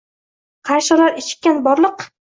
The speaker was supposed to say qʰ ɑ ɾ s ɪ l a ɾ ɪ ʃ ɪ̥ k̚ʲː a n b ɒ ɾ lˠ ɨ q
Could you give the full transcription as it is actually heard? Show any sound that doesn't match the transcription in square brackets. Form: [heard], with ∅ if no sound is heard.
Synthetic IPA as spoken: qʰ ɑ ɾ [ʃ] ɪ l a ɾ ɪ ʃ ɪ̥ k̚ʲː a n b ɒ ɾ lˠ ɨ q